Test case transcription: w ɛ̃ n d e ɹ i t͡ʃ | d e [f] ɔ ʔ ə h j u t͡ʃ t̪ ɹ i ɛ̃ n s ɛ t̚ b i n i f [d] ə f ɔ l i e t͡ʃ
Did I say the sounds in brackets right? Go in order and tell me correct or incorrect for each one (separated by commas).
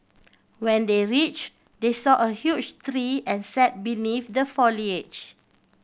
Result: incorrect, correct